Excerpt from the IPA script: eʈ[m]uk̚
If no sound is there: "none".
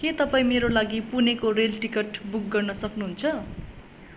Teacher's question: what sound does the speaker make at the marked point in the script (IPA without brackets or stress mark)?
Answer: b